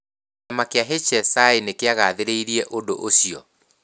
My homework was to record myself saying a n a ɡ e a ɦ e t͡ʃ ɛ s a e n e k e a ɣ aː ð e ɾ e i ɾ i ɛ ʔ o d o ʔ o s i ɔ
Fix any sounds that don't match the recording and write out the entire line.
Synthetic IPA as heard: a m a k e a ɦ e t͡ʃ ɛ s a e n e k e a ɣ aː ð e ɾ e i ɾ i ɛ ʔ o d o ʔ o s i ɔ